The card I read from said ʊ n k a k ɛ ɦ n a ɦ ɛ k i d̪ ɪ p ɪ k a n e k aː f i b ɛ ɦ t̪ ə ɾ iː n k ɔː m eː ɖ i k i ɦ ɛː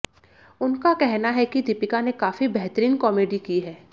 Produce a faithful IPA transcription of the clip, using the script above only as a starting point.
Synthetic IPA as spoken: ʊ n k a k ɛ ɦ n a ɦ ɛ k i d̪ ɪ p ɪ k a n e k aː f i b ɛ ɦ t̪ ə ɾ iː n k ɔː m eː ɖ i k i ɦ ɛː